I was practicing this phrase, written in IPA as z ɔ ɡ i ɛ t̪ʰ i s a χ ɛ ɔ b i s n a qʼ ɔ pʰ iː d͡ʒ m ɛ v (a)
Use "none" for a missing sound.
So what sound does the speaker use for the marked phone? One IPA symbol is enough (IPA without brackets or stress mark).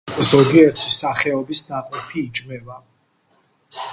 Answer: a